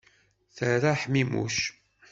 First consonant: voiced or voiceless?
voiceless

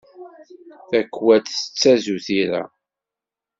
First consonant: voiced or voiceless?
voiceless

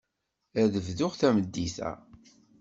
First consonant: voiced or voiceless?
voiced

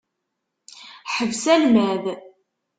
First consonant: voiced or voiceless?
voiceless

